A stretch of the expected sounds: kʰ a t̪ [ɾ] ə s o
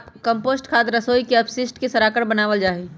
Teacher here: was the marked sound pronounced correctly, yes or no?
yes